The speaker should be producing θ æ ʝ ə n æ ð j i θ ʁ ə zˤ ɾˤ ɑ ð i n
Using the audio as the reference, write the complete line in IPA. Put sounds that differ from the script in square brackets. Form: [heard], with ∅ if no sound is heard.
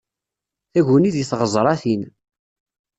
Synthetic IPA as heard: θ æ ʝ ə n [i] ð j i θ ʁ ə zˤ ɾˤ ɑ [θ] i n